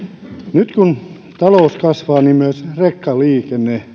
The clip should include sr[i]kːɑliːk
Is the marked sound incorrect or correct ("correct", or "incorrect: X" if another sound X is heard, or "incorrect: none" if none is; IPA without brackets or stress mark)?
incorrect: e